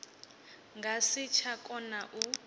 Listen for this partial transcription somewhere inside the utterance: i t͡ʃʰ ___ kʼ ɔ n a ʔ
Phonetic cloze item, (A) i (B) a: B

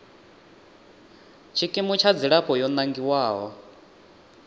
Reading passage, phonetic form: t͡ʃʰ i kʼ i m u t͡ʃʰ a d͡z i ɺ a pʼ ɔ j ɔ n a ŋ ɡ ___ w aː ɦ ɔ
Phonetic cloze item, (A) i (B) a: A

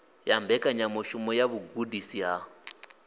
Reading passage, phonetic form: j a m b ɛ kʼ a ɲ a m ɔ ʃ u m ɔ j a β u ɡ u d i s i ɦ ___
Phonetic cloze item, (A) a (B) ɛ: A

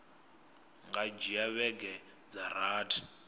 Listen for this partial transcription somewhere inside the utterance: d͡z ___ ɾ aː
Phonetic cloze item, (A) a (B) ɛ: A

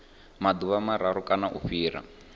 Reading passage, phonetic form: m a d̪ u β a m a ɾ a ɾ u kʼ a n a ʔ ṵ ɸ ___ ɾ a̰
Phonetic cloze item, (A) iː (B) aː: A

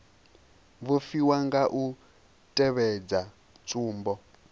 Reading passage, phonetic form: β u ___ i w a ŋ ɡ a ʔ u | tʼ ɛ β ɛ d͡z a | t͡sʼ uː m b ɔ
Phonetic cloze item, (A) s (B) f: B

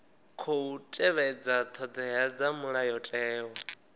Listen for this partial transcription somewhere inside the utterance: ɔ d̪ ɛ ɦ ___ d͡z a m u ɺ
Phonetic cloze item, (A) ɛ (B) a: B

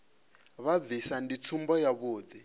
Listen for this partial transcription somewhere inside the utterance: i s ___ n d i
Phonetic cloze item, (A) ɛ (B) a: B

